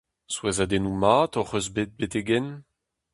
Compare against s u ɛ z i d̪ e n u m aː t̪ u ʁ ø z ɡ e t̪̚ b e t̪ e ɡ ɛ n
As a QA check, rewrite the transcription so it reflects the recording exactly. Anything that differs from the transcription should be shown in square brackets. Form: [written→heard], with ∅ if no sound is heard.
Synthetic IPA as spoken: s [u→w] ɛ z [i→a] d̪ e n u m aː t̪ [u→ɔ] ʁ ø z [ɡ→b] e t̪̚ b e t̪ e ɡ ɛ n